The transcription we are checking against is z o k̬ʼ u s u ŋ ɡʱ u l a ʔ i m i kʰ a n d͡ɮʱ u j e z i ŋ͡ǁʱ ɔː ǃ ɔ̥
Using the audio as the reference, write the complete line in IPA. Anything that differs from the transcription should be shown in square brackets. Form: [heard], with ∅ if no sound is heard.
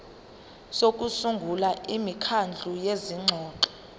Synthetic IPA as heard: [s] o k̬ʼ u s u ŋ ɡʱ u l a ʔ i m i kʰ a n d͡ɮʱ u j e z i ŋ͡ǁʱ ɔː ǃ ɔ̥

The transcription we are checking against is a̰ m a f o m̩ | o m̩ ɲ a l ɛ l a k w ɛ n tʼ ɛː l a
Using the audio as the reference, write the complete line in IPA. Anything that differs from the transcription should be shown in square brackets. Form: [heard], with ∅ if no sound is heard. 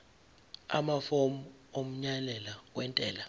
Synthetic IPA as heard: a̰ m a f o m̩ | o m̩ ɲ a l ɛ l a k w ɛ n tʼ ɛː l a

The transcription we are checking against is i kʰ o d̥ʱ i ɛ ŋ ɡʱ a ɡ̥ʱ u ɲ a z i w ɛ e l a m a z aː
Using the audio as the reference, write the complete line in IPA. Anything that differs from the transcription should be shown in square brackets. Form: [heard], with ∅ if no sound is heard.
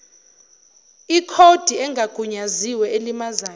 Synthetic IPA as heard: i kʰ o d̥ʱ i ɛ ŋ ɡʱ a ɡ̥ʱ u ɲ a z i w ɛ e l [i] m a z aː

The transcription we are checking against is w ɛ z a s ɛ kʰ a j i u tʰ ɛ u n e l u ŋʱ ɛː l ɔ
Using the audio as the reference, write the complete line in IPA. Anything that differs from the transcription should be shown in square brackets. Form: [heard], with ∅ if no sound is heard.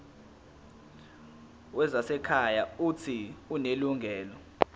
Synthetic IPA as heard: w ɛ z a s ɛ kʰ a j [a] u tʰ [i] u n e l u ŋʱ ɛː l ɔ

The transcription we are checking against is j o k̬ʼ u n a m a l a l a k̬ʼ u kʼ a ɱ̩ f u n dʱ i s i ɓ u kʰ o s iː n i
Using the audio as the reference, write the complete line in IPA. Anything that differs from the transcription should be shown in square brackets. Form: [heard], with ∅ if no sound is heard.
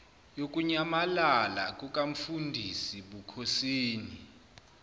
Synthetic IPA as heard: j o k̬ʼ u [ɲ] a m a l a l a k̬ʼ u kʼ a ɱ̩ f u n dʱ i s i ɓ u kʰ o s iː n i

